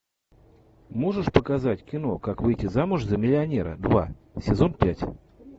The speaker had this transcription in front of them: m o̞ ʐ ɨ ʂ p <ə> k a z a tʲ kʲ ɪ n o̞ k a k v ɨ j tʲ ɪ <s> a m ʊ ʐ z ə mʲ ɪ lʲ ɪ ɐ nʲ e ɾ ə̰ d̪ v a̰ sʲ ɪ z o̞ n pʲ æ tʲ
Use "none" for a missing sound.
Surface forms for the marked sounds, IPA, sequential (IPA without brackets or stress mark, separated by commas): ə, z